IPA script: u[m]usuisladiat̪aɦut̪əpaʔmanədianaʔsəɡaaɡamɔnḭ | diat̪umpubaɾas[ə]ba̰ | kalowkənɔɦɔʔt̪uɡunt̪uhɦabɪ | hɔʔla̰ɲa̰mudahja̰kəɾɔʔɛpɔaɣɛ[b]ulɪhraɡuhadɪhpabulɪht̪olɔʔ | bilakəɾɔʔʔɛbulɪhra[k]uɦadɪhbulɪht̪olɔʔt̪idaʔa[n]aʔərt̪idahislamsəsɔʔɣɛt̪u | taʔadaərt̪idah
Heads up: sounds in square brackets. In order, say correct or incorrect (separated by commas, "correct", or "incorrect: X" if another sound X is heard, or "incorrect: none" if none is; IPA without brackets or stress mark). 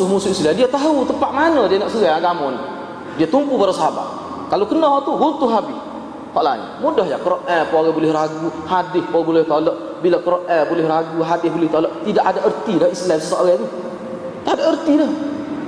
correct, incorrect: a, correct, incorrect: ɡ, incorrect: d